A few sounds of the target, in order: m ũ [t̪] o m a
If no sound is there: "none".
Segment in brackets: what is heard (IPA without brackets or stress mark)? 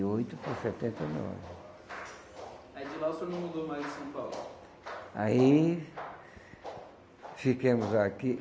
d̪